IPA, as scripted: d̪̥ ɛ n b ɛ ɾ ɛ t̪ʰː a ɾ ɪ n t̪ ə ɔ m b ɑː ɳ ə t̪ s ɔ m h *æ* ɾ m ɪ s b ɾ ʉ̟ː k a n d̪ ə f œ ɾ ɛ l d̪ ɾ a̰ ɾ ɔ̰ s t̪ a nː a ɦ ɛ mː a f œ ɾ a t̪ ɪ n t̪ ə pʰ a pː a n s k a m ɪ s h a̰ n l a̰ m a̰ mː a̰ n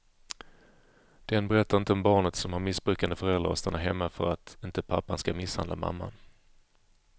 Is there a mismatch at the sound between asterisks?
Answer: yes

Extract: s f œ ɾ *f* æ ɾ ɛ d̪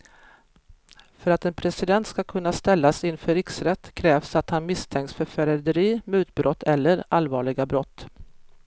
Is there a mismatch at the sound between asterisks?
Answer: no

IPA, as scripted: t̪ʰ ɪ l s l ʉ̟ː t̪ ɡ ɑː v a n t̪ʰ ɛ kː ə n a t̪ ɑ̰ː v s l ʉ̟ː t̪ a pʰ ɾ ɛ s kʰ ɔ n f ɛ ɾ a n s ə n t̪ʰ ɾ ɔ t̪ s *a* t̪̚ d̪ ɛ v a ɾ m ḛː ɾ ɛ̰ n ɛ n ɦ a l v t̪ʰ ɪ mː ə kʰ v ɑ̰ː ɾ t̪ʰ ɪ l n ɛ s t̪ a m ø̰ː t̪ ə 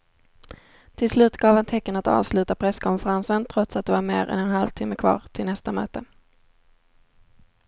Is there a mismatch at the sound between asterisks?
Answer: no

